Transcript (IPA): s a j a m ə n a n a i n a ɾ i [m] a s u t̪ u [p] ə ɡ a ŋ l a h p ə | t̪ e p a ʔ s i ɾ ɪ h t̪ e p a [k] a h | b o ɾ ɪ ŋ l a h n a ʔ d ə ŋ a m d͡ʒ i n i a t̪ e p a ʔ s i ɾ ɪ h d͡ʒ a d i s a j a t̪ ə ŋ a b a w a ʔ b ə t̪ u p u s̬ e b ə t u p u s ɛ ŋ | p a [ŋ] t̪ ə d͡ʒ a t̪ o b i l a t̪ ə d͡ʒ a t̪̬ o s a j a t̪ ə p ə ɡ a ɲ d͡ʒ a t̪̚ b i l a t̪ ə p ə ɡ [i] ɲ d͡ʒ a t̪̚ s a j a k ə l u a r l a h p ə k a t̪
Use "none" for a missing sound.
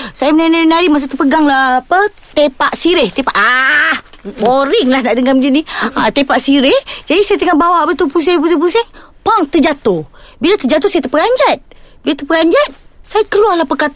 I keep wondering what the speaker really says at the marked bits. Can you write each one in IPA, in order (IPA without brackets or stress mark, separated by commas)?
m, p, ʔ, ŋ, a